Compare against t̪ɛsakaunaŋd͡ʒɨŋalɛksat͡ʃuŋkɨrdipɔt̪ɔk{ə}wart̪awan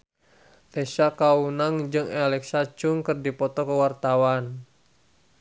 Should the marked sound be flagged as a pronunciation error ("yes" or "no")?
no